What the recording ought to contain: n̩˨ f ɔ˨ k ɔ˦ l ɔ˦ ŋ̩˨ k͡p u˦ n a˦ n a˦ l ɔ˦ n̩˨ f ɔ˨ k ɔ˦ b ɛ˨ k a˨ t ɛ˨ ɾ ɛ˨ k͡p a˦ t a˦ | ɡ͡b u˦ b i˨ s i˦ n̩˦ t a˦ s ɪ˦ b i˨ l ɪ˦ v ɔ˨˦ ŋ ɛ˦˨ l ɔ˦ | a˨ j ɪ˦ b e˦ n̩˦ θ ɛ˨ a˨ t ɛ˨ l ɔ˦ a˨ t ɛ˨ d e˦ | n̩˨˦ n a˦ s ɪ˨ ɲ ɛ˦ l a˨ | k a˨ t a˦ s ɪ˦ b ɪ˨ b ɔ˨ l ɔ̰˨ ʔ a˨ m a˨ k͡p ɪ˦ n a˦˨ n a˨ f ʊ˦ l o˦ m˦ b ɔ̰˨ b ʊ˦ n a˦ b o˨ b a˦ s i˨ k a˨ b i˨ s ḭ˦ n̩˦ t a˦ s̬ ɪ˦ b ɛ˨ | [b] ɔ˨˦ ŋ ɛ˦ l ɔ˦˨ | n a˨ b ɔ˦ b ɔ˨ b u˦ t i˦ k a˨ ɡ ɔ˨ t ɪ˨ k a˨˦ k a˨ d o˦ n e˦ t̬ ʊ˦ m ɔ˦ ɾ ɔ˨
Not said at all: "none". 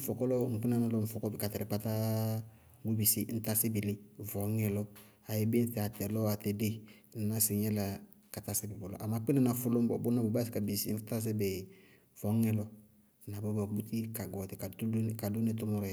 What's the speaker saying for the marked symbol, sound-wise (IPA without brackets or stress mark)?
v